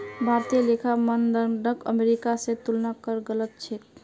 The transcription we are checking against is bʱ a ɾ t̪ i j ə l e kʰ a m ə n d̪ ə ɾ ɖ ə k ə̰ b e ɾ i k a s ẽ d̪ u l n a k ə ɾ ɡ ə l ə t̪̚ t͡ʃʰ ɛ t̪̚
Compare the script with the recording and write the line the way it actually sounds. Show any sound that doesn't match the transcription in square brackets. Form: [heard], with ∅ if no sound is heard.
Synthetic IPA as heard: bʱ a ɾ t̪ i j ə l e kʰ a m ə n d̪ ə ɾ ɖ ə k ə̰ [m] e ɾ i k a s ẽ [t̪] u l n a k ə ɾ ɡ ə l ə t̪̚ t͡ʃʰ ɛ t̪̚